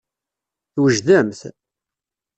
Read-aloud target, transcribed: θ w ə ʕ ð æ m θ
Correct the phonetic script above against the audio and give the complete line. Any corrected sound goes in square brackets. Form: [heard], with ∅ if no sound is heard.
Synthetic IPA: θ w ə [ʒ] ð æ m θ